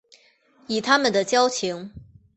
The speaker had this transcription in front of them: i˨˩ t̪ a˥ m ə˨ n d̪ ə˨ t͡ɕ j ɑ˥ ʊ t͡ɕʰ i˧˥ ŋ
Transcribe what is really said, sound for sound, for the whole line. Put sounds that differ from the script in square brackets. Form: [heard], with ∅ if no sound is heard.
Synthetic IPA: i˨˩ [t̪ʰ] a˥ m ə˨ n d̪ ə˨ t͡ɕ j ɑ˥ ʊ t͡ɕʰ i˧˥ ŋ